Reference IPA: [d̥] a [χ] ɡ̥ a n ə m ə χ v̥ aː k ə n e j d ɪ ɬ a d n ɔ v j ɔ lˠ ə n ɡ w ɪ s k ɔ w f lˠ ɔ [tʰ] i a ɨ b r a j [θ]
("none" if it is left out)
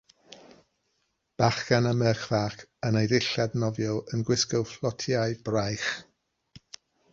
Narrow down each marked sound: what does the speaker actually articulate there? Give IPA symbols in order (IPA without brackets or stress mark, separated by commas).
b̥, χ, tʰ, χ